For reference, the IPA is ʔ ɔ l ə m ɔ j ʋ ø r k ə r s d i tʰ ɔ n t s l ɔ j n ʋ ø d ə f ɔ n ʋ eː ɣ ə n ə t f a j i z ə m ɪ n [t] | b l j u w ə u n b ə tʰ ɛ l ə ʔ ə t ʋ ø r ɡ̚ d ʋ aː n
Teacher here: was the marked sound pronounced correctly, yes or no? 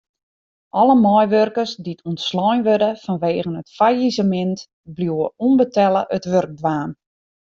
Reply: yes